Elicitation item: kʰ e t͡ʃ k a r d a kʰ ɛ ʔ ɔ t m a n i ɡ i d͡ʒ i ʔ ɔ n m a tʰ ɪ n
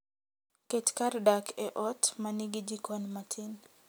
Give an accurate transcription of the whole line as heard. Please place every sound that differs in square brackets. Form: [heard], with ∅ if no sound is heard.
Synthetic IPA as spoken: [k] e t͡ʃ k a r d a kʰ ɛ ʔ ɔ t m a n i ɡ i d͡ʒ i [k] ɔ n m a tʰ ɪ n